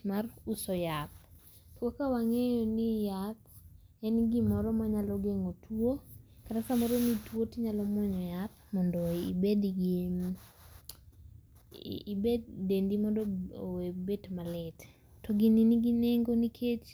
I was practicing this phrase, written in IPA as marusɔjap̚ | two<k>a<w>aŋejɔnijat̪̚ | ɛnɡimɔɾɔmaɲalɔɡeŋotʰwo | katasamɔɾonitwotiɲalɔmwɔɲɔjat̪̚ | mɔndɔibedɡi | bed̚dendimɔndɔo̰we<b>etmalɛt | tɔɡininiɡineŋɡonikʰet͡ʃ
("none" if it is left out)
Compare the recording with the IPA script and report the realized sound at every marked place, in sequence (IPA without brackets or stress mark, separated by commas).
k, w, b